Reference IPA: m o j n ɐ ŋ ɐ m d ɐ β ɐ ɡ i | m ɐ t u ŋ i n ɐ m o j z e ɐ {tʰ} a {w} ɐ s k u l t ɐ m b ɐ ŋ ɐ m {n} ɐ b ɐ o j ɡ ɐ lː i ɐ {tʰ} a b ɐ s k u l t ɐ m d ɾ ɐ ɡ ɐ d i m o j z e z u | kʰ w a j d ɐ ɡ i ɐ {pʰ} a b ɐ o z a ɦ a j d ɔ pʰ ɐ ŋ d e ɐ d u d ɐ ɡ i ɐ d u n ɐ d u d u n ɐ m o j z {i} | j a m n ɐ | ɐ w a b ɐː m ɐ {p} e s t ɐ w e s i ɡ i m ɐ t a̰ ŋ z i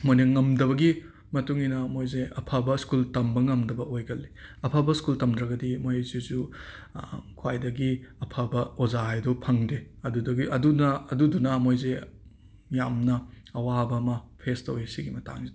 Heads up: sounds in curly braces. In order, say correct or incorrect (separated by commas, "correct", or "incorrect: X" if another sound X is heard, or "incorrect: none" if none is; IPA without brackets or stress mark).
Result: incorrect: pʰ, incorrect: b, incorrect: d, incorrect: pʰ, correct, incorrect: e, incorrect: pʰ